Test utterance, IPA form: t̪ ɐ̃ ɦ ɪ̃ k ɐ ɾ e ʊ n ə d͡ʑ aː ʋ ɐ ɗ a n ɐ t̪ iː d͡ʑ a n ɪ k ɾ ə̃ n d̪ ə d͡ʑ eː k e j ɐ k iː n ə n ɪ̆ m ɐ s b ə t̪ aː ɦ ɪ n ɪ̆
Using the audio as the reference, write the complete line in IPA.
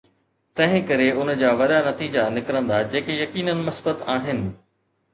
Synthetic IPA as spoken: t̪ ɐ̃ ɦ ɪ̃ k ɐ ɾ e ʊ n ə d͡ʑ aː ʋ ɐ ɗ a n ɐ t̪ iː d͡ʑ a n ɪ k ɾ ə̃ n d̪ a d͡ʑ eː k e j ɐ k iː n ə n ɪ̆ m ɐ s b ə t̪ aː ɦ ɪ n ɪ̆